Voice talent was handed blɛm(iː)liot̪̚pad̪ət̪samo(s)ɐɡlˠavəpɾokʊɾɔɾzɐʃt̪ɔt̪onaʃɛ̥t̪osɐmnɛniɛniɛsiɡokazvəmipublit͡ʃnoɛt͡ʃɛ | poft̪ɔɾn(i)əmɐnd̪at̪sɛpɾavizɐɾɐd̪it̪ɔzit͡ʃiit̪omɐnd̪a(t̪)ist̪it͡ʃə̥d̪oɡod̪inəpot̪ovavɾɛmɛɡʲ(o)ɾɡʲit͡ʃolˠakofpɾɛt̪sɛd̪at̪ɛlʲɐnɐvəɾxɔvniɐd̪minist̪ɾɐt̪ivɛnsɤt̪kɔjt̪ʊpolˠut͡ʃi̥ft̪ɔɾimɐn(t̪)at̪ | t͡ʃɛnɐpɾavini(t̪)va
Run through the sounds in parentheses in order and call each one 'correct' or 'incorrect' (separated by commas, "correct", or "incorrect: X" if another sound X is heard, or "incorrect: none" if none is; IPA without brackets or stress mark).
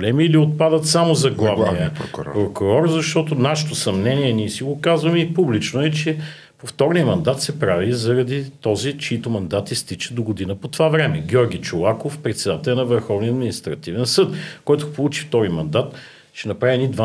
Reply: correct, incorrect: z, correct, correct, incorrect: ɔ, incorrect: d̪, incorrect: d̪